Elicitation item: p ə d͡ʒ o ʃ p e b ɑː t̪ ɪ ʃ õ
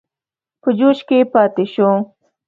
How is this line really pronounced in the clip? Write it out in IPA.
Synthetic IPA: p ə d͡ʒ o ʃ k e p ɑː t̪ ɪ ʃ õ

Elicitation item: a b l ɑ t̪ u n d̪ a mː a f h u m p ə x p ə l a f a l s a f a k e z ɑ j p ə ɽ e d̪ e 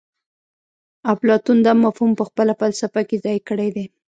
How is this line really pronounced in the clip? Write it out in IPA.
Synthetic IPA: a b l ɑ t̪ u n d̪ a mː a f h u m p ə x p ə l a f a l s a f a k e z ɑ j k ə ɽ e d̪ e

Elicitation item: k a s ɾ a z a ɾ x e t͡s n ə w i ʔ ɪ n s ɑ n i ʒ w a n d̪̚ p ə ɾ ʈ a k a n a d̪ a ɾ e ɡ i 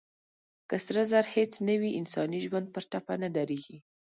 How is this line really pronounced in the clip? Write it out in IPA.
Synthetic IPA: k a s ɾ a z a ɾ h e t͡s n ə w i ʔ ɪ n s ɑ n i ʒ w a n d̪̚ p ə ɾ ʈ a p a n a d̪ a ɾ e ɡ i

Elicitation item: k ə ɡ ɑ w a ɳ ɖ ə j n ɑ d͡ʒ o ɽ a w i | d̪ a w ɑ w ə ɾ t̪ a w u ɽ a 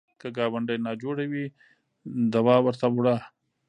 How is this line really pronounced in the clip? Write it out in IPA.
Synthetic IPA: k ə ɡ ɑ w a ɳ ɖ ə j n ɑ d͡ʒ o ɽ a w i | d̪ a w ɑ w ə ɾ t̪ a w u ɽ a

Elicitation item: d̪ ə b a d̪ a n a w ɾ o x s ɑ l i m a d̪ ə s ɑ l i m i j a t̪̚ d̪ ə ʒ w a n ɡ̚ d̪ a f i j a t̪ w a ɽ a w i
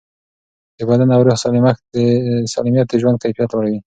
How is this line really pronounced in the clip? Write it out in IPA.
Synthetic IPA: d̪ ə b a d̪ a n a w ɾ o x s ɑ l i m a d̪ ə s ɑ l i m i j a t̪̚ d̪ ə ʒ w a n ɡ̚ t̪ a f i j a t̪ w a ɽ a w i

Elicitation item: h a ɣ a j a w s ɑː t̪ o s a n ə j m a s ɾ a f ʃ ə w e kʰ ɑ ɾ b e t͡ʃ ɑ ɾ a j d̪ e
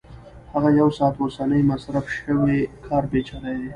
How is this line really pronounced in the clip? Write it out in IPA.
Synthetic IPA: h a ɣ a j a w s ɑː t̪ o s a n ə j m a s ɾ a f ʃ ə w e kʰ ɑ ɾ b e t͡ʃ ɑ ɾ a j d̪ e

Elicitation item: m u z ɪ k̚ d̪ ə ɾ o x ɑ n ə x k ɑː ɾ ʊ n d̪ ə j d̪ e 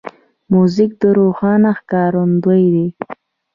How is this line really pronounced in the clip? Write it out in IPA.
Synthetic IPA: m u z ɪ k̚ d̪ ə ɾ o x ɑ n a x k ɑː ɾ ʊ n d̪ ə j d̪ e

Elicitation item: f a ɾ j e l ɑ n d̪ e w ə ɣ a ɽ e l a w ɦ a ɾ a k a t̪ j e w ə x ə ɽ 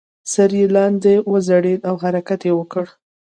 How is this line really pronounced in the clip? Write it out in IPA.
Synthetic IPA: s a ɾ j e l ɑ n d̪ e w ə z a ɽ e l a w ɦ a ɾ a k a t̪ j e w ə k ə ɽ

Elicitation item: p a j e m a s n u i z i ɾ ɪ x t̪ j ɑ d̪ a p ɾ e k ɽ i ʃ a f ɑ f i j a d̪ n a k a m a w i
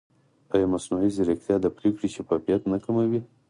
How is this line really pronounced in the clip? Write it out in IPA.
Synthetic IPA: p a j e m a s n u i z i ɾ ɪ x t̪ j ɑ d̪ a p ɾ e k ɽ i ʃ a f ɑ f i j a t̪ n a k a m a w i

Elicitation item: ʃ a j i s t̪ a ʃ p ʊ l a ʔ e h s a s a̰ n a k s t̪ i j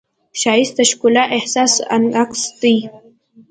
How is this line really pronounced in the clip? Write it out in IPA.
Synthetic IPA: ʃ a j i s t̪ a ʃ k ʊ l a ʔ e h s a s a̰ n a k s t̪ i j

